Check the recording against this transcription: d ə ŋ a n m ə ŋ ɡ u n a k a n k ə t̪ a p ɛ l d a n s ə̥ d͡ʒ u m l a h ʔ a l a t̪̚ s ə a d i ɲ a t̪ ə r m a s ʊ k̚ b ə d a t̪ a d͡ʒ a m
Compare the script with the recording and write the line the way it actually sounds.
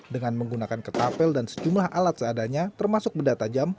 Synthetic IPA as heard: d ə ŋ a n m ə ŋ ɡ u n a k a n k ə t̪ a p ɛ l d a n s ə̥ d͡ʒ u m l a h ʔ a l a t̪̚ s ə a d a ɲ a t̪ ə r m a s ʊ k̚ b ə d a t̪ a d͡ʒ a m